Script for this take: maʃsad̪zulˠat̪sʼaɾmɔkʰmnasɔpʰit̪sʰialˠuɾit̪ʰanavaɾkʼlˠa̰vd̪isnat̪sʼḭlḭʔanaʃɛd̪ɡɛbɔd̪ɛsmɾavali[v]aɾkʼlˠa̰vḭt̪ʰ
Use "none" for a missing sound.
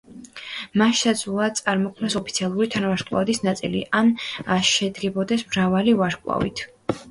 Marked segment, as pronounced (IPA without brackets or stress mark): v